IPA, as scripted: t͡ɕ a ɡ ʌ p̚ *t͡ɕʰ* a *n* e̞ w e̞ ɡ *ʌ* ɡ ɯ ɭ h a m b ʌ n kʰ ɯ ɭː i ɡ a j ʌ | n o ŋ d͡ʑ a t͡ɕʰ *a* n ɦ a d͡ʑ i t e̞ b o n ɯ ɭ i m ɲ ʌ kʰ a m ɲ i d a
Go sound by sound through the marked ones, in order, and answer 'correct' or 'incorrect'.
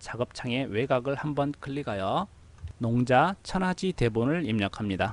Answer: correct, incorrect, incorrect, incorrect

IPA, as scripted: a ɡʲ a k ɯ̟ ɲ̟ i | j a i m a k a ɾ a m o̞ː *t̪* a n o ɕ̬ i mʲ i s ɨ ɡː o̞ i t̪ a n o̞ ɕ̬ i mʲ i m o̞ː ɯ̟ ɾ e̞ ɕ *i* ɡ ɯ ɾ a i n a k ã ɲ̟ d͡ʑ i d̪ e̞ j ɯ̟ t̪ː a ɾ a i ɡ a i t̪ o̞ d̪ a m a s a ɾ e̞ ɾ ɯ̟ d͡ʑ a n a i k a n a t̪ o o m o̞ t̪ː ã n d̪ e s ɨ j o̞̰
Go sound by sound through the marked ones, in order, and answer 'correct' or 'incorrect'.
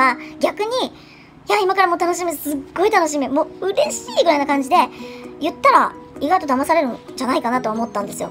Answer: correct, incorrect

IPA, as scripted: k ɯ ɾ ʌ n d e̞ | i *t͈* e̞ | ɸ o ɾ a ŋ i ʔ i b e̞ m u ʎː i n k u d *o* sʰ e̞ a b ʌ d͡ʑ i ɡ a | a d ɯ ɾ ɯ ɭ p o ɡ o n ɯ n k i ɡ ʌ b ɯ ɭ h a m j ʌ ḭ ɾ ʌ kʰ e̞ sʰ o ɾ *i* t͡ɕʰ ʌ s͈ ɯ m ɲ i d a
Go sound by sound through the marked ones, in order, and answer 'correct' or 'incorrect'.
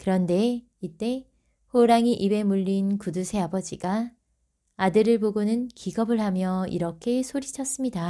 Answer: correct, incorrect, correct

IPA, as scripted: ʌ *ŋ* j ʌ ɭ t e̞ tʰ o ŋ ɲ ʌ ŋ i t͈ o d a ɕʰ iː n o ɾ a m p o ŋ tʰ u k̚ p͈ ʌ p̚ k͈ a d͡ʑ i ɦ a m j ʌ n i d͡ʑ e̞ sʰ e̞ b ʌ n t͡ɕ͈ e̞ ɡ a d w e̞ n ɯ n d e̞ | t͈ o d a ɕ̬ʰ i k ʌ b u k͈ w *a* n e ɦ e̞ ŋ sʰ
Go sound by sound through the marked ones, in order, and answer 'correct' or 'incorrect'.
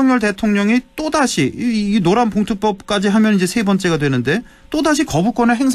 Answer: correct, incorrect

